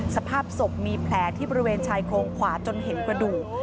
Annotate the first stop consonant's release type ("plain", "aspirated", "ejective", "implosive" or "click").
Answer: aspirated